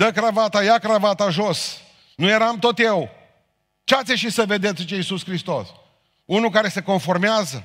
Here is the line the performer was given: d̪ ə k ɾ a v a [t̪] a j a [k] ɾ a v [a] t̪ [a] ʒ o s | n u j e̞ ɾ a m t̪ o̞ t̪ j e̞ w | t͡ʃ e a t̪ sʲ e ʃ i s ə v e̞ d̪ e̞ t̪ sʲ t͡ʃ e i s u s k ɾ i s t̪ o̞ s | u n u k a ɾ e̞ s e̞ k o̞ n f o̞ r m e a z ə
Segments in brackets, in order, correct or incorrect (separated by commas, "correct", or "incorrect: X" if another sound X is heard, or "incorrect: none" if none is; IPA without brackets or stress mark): correct, correct, correct, correct